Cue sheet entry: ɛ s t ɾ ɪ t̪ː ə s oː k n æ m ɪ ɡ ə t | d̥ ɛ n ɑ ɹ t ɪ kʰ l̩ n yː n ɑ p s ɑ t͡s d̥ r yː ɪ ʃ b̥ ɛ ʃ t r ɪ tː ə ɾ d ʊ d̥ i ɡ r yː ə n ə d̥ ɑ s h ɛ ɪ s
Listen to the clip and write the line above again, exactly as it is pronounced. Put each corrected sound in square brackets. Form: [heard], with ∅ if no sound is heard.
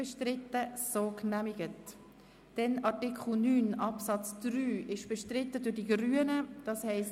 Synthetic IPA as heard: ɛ [ʃ] t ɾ ɪ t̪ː ə s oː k n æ m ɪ ɡ ə t | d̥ ɛ n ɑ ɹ t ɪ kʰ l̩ n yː n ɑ p s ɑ t͡s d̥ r yː ɪ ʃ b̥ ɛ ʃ t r ɪ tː ə [∅] d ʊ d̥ i ɡ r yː ə n ə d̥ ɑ s h ɛ ɪ s